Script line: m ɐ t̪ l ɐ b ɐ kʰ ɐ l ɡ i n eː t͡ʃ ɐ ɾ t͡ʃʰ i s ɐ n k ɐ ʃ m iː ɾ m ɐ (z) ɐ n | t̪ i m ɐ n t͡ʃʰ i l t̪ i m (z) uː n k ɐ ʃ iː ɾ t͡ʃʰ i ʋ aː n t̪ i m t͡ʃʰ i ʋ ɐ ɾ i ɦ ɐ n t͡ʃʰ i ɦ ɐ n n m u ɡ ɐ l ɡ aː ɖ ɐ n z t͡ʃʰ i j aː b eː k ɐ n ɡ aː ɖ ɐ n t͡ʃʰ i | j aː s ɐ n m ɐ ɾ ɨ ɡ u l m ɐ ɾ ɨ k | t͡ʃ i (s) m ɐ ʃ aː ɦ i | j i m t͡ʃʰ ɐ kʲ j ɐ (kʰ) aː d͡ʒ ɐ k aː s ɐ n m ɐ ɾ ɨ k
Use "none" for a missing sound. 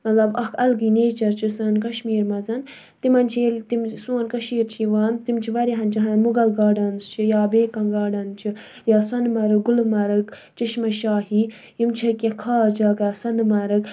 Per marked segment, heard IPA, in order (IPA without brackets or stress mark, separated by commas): z, s, ʃ, kʰ